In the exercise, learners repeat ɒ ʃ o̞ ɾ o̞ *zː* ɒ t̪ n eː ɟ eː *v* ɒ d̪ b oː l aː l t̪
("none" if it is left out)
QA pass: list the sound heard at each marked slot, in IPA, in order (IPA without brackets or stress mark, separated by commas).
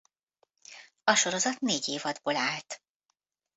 z, v